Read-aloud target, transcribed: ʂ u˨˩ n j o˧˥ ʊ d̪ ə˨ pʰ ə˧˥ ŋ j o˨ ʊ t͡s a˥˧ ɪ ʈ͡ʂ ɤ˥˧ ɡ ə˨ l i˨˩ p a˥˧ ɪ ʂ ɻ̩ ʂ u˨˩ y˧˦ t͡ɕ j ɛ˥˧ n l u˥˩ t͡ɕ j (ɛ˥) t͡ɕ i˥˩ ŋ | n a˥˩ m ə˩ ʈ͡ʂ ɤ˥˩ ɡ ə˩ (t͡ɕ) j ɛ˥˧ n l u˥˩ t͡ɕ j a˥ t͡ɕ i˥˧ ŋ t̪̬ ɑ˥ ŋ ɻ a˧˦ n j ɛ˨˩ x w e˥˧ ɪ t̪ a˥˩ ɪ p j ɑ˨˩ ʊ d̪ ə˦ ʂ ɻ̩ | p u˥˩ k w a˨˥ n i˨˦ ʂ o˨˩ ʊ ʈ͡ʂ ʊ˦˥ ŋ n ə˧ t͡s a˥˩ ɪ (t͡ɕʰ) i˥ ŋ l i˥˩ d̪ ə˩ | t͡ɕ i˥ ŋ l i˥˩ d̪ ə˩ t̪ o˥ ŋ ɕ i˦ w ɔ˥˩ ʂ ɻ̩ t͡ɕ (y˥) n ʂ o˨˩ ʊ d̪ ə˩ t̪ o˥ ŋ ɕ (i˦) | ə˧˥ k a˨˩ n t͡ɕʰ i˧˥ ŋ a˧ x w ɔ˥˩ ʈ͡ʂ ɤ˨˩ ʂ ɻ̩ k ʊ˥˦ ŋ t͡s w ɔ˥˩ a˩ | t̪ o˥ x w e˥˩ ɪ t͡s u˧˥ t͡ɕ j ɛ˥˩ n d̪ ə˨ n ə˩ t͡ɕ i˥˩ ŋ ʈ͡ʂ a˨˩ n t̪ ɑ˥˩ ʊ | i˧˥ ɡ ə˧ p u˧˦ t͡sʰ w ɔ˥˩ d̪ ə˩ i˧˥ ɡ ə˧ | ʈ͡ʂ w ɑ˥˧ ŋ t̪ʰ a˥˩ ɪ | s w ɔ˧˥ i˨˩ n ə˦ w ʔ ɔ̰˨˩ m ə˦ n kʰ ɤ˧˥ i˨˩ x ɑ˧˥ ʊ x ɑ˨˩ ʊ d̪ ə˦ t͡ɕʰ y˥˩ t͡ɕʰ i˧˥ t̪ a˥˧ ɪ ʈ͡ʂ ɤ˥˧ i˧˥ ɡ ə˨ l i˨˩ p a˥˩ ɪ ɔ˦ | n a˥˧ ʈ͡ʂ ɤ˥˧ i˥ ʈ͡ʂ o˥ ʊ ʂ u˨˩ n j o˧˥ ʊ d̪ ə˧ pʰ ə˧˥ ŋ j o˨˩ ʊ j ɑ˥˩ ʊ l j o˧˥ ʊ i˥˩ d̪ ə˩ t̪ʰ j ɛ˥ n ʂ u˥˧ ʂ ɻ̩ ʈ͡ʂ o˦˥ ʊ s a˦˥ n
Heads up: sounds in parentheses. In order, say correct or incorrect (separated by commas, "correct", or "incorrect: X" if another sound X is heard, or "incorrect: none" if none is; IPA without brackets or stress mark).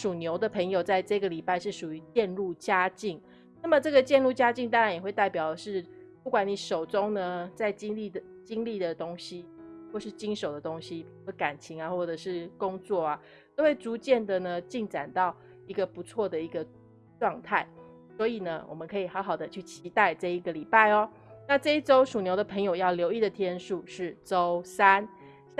incorrect: a˥, correct, incorrect: t͡ɕ, incorrect: i˥, correct